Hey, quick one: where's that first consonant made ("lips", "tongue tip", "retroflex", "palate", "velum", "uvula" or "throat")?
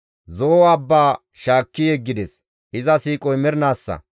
tongue tip